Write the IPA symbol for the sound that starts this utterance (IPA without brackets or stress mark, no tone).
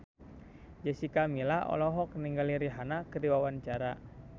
d͡ʒ